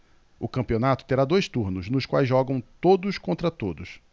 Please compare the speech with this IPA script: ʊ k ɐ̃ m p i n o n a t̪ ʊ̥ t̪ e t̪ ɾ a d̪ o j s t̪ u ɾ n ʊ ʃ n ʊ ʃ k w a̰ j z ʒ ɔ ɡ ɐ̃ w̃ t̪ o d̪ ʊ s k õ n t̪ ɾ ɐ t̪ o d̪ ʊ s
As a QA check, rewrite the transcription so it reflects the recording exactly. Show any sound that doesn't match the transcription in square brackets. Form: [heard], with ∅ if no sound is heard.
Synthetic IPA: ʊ k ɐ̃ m p i [∅] o n a t̪ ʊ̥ t̪ e [∅] ɾ a d̪ o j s t̪ u ɾ n ʊ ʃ n ʊ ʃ k w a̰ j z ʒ ɔ ɡ ɐ̃ w̃ t̪ o d̪ ʊ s k õ n t̪ ɾ ɐ t̪ o d̪ ʊ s